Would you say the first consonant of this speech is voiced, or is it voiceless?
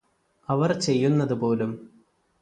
voiced